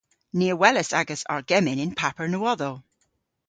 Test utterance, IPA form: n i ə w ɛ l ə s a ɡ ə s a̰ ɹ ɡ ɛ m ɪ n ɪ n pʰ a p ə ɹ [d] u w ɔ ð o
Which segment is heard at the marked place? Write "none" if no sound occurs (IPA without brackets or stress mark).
n